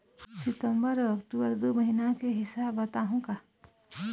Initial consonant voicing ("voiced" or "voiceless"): voiceless